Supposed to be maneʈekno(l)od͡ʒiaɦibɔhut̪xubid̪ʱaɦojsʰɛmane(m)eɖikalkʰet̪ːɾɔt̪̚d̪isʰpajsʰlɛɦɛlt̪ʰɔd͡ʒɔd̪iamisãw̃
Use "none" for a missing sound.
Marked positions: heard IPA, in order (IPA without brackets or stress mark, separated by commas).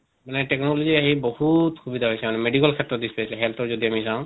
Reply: l, m